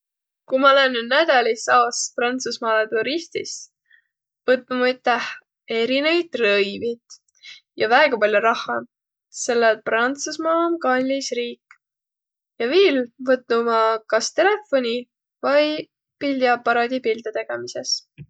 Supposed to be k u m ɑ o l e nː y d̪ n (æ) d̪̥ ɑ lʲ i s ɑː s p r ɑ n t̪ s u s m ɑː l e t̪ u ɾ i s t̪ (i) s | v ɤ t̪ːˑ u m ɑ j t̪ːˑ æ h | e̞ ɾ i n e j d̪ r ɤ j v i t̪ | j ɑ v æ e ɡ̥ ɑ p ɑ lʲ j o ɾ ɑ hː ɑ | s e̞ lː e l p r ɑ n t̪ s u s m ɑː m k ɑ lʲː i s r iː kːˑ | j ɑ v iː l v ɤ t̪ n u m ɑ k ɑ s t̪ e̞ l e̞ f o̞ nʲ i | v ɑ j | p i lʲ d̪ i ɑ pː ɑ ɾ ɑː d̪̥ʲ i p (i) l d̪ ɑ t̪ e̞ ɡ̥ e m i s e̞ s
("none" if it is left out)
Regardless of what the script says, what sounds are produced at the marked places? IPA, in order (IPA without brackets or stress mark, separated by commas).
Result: æ, i, i